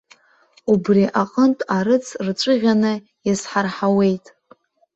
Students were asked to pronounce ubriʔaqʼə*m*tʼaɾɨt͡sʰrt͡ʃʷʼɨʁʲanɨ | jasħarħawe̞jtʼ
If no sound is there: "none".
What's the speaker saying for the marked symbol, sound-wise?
n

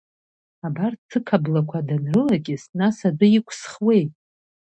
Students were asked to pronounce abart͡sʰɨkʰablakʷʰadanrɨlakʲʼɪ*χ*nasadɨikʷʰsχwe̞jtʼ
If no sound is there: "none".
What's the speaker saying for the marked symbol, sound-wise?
s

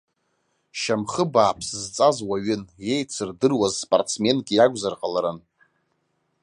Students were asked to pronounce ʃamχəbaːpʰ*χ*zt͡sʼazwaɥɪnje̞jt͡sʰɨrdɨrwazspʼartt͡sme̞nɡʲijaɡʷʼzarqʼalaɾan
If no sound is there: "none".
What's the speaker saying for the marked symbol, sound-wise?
s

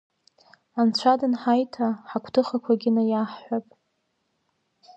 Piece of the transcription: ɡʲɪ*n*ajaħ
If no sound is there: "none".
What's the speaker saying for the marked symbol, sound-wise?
n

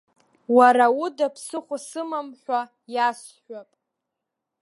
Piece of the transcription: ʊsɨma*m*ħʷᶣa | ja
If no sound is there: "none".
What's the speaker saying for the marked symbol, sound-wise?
m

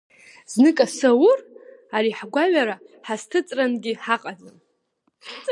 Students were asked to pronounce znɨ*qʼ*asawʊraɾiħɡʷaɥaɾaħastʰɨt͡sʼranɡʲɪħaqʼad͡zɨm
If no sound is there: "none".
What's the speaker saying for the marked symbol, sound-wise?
kʼ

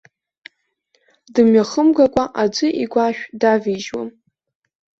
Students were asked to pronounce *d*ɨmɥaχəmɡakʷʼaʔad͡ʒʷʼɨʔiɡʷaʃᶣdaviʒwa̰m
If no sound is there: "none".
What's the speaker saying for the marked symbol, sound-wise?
d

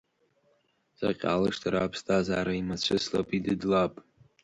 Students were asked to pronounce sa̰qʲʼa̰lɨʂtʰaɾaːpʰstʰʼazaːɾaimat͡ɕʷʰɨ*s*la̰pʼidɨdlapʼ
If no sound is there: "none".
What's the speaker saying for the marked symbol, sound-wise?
s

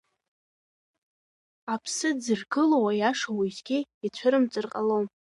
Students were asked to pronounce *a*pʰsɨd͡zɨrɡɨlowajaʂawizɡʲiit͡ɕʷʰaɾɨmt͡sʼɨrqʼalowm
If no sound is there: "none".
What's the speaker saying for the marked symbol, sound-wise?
a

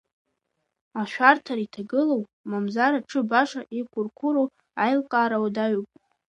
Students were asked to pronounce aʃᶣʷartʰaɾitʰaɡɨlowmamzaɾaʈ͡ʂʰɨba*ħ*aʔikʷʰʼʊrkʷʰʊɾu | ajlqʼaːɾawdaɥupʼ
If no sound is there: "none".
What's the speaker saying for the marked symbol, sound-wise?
ʂ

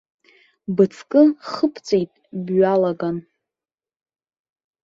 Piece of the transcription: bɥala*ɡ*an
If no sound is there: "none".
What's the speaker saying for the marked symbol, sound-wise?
ɡ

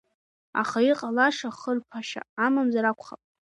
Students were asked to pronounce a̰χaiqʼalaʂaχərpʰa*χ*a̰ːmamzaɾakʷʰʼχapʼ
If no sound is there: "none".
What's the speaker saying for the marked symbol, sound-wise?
ʃ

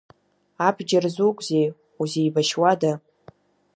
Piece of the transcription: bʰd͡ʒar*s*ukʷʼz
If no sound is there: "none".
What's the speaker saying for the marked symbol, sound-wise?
z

